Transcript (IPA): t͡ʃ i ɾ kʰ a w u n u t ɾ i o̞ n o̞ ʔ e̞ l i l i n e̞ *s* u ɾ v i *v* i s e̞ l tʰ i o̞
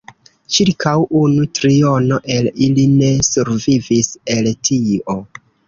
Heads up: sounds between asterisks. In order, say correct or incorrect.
correct, correct

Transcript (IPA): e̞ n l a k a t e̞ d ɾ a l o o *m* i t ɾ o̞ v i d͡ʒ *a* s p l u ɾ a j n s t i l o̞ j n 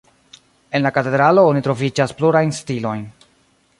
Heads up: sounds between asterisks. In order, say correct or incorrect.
incorrect: n, correct

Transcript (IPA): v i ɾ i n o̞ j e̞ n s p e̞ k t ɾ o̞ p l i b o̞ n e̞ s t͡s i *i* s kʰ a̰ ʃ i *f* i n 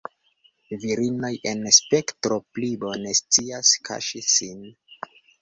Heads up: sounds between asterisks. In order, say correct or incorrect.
incorrect: a, incorrect: s

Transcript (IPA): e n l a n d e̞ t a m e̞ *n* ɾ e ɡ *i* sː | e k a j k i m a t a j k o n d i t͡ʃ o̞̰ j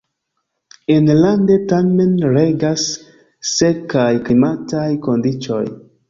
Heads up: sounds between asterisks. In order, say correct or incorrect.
correct, incorrect: a

